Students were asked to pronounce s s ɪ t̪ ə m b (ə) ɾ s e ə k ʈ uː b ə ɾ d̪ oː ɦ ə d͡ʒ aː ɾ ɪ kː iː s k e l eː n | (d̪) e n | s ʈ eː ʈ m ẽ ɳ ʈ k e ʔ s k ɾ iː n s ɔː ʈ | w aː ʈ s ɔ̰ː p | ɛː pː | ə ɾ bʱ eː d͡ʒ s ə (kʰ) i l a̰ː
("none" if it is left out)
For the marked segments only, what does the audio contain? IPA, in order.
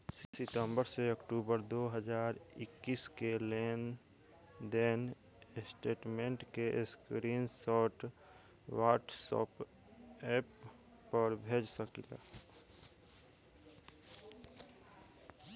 ə, d̪, k

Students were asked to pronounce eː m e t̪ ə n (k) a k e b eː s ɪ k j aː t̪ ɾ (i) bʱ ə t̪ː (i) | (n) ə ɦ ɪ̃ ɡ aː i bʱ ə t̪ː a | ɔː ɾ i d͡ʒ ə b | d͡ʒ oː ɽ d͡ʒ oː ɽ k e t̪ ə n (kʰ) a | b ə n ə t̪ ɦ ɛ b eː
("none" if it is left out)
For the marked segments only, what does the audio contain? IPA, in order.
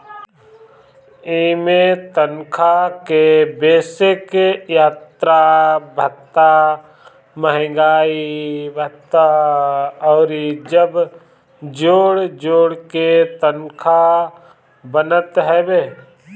kʰ, a, a, m, kʰ

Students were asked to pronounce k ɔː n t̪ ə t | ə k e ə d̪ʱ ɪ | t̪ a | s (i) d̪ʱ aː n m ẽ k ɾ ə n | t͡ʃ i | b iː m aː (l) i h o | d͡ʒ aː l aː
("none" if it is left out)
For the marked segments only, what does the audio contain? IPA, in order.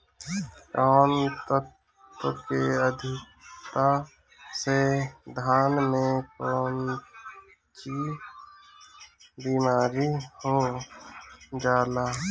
e, ɾ

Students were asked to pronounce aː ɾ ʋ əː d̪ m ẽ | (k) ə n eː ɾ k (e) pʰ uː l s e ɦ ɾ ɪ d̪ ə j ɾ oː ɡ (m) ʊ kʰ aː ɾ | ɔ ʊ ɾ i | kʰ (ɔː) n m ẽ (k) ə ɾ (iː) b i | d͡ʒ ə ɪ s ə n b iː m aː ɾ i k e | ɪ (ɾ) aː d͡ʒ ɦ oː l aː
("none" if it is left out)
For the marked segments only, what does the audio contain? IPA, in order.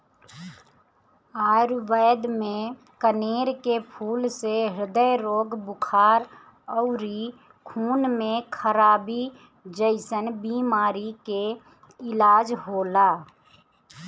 k, e, b, uː, kʰ, aː, l

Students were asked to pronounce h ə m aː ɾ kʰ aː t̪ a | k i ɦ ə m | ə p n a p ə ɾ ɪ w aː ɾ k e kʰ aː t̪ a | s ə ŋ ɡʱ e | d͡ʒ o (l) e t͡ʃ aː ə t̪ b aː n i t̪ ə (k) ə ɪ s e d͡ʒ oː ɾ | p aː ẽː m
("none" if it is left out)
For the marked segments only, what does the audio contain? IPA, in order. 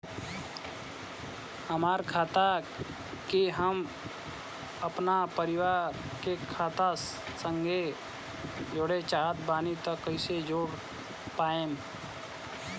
ɽ, k

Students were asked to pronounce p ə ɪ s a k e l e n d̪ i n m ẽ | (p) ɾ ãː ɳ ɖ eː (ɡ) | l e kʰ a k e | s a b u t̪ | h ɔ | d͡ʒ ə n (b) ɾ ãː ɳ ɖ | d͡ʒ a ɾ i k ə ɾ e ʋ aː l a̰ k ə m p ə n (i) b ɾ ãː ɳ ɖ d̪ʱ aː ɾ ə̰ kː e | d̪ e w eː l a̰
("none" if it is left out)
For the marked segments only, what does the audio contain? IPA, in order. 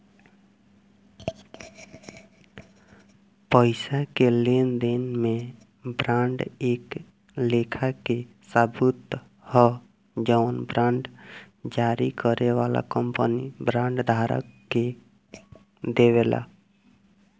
b, k, b, i

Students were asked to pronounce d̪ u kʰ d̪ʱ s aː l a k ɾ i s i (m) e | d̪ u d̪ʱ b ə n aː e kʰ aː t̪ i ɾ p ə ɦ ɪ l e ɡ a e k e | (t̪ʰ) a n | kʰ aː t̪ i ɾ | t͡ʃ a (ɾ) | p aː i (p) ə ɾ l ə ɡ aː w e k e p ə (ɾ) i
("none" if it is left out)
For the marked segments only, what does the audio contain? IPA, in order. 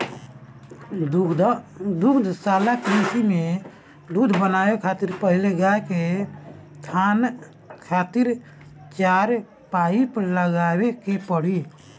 m, t̪ʰ, ɾ, p, ɽ

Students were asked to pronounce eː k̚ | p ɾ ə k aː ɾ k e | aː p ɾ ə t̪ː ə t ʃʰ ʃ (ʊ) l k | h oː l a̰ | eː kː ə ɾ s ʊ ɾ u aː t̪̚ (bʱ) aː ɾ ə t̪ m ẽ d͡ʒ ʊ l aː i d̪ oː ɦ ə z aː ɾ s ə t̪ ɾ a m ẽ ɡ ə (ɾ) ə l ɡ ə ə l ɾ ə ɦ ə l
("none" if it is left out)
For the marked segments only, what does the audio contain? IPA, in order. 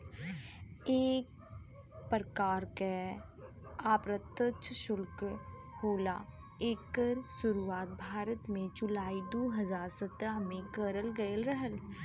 ʊ, bʱ, ɾ

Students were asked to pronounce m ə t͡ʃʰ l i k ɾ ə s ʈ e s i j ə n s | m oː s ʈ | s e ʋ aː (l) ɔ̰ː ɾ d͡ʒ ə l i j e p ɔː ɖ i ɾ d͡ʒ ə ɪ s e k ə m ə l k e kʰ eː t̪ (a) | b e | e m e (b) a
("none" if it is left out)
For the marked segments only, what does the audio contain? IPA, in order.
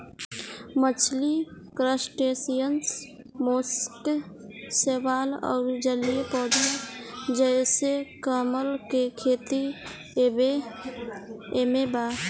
l, i, b

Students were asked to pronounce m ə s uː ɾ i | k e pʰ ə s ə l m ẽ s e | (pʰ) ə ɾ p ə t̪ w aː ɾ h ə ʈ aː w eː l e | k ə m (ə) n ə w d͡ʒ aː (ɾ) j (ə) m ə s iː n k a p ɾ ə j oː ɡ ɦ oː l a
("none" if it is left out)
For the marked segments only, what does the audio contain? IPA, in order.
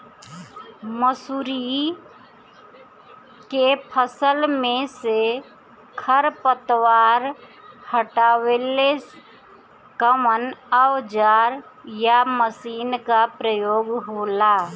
kʰ, ə, ɾ, a

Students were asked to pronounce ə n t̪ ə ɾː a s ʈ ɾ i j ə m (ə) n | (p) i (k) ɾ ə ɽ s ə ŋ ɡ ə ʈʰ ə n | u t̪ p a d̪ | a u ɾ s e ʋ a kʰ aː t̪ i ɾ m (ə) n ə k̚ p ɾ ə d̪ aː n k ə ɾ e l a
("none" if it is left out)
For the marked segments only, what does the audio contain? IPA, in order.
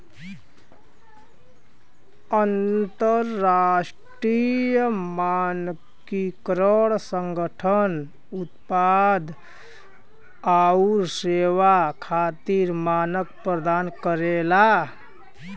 a, k, k, a

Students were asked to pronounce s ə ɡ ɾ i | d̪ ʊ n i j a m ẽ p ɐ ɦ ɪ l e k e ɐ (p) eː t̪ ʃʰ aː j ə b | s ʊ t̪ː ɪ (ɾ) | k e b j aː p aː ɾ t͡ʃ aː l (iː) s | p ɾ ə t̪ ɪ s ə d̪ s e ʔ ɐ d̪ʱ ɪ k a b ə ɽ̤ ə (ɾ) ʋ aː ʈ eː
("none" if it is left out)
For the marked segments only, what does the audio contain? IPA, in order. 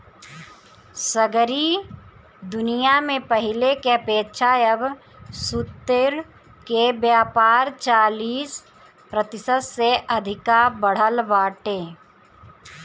p, ɾ, iː, l

